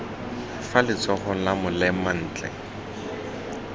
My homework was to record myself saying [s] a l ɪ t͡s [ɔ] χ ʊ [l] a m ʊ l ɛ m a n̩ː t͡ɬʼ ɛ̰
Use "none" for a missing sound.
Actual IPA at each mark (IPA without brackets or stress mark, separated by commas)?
f, ɔ, l